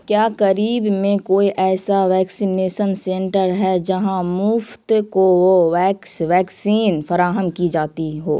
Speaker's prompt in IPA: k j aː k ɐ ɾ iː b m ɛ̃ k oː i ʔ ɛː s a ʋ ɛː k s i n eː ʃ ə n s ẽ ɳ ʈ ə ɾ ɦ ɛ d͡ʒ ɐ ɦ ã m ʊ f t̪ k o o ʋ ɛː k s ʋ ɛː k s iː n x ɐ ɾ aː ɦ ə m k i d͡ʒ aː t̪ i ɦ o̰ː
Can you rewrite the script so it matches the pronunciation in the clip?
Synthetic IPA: k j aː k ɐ ɾ iː b m ẽ k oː i ʔ ɛː s a ʋ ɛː k s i n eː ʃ ə n s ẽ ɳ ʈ ə ɾ ɦ ɛ d͡ʒ ɐ ɦ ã m ʊ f t̪ k o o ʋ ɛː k s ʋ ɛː k s iː n f ɐ ɾ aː ɦ ə m k i d͡ʒ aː t̪ i ɦ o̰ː